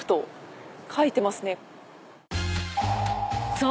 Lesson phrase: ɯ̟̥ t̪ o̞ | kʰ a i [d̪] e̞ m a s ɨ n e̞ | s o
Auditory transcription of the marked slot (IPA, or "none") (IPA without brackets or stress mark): t̪